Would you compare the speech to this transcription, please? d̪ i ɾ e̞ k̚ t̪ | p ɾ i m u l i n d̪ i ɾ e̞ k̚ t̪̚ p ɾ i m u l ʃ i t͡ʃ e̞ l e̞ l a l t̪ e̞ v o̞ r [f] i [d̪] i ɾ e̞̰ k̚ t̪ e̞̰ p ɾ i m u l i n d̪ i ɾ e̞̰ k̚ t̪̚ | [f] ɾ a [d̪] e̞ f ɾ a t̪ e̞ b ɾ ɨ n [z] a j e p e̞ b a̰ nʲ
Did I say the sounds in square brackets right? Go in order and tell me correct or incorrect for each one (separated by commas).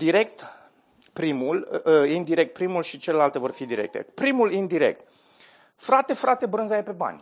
correct, correct, correct, incorrect, correct